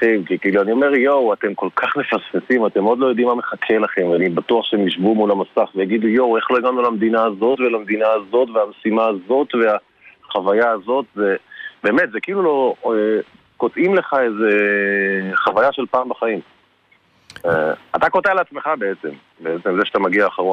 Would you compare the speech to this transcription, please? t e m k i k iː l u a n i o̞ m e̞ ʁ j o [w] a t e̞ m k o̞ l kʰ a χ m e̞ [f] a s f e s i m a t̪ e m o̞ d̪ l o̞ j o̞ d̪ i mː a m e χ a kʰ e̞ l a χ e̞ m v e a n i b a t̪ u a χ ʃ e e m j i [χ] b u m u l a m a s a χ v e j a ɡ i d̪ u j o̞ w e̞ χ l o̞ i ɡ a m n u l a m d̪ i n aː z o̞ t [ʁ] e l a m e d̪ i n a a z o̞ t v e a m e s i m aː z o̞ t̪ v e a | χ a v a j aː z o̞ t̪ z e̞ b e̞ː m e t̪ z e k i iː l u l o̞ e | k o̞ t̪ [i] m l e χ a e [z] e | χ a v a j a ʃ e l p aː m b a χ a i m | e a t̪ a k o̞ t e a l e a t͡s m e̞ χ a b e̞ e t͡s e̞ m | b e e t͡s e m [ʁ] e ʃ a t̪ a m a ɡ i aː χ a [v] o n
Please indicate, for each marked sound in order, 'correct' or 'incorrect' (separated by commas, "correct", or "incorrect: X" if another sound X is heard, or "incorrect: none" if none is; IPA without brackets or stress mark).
correct, correct, incorrect: ʃ, incorrect: v, correct, correct, incorrect: z, incorrect: ʁ